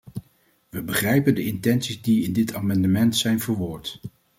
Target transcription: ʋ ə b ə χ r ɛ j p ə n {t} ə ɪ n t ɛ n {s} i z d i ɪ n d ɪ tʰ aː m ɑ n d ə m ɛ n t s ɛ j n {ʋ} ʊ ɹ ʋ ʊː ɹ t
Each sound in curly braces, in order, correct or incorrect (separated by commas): incorrect, correct, incorrect